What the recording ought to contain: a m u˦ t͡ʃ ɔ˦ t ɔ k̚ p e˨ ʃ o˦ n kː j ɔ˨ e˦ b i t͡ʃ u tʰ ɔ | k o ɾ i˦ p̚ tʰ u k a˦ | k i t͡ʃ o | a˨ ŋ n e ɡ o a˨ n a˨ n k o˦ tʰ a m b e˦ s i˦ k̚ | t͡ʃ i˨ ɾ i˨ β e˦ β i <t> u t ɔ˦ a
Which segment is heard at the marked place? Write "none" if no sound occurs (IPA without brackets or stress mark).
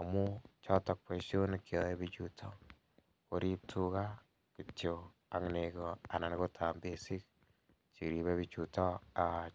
t͡ʃ